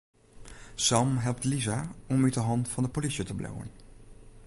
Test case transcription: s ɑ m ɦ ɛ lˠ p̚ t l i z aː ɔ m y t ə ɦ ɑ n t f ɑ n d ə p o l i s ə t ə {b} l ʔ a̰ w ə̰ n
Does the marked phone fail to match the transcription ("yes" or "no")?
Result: no